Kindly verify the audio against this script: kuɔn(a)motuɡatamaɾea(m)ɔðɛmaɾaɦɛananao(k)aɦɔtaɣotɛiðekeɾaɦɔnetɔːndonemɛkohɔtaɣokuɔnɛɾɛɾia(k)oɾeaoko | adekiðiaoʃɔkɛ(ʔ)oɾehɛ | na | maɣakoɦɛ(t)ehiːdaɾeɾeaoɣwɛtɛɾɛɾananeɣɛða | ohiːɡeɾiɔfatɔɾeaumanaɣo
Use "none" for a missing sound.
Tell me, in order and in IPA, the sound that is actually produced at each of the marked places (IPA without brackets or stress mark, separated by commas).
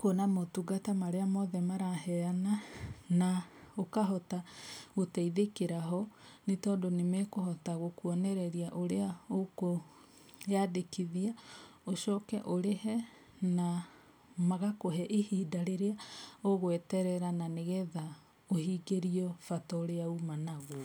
a, m, k, ʔ, ʔ, ʔ